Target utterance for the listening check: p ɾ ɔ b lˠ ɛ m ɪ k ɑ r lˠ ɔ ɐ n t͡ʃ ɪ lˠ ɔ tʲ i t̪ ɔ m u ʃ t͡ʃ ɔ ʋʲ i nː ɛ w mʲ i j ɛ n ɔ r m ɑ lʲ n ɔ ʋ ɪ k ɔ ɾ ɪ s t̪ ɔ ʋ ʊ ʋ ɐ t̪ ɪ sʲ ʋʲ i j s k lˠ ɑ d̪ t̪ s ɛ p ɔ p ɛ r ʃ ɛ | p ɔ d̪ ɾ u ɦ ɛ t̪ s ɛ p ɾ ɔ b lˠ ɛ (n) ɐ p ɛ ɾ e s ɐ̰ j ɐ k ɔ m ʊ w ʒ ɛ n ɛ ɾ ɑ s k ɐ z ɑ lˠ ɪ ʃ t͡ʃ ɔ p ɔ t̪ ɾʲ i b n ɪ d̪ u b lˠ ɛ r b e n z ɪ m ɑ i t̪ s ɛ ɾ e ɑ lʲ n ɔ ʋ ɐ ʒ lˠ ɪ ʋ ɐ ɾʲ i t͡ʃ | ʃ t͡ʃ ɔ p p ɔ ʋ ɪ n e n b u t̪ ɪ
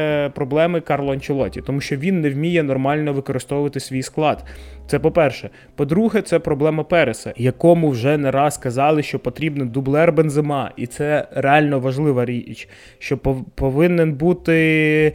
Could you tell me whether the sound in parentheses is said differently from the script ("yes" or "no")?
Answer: yes